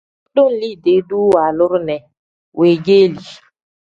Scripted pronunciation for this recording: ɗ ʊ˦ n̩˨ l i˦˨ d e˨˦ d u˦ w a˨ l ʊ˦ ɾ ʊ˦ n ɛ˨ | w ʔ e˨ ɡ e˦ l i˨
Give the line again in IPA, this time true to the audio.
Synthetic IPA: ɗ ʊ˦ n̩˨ l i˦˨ d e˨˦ d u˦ w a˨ l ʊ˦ ɾ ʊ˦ n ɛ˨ | w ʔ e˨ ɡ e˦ l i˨